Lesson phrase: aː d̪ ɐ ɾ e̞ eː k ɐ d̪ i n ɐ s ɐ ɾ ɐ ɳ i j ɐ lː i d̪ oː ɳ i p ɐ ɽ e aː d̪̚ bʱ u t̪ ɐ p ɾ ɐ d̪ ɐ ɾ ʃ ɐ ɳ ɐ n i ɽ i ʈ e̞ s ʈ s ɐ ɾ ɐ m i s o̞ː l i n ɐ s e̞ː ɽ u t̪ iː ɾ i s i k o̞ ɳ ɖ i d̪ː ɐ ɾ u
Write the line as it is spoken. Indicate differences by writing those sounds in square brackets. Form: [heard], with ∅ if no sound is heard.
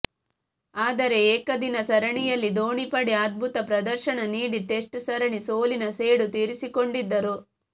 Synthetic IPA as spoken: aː d̪ ɐ ɾ e̞ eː k ɐ d̪ i n ɐ s ɐ ɾ ɐ ɳ i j ɐ lː i d̪ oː ɳ i p ɐ ɽ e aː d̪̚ bʱ u t̪ ɐ p ɾ ɐ d̪ ɐ ɾ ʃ ɐ ɳ ɐ n [iː] ɽ i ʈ e̞ s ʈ s ɐ ɾ ɐ [ɳ] i s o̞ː l i n ɐ s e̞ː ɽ u t̪ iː ɾ i s i k o̞ ɳ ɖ i d̪ː ɐ ɾ u